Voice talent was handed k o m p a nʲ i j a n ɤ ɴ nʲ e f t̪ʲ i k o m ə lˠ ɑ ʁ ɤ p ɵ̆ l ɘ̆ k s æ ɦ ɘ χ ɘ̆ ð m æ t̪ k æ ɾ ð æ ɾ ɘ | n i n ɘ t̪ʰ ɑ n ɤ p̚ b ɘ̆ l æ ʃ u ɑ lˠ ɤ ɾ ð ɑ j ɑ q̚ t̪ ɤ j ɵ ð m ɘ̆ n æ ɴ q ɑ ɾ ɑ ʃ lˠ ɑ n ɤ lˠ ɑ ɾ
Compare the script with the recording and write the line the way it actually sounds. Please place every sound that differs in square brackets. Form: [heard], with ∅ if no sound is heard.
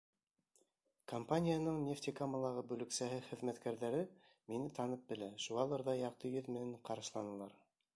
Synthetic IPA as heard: k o m p a nʲ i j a n ɤ ɴ nʲ e f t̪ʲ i k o m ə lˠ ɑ ʁ ɤ [b] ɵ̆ l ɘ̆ k s æ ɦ ɘ χ ɘ̆ ð m æ t̪ k æ ɾ ð æ ɾ ɘ | [m] i n ɘ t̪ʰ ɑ n ɤ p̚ b ɘ̆ l æ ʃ u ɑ lˠ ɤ ɾ ð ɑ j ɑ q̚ t̪ ɤ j ɵ ð m ɘ̆ n æ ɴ q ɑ ɾ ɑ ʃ lˠ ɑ n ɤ lˠ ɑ ɾ